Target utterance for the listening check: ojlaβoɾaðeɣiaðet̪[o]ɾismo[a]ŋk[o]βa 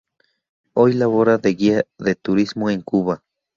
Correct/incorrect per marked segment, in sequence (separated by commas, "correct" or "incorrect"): incorrect, incorrect, incorrect